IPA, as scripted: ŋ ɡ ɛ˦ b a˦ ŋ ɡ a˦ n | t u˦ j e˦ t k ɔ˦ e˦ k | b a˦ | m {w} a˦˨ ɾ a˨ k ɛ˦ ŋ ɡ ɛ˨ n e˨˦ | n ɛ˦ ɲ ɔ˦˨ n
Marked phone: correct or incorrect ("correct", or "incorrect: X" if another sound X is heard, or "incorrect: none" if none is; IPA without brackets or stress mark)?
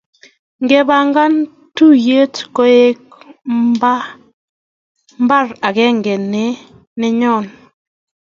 incorrect: b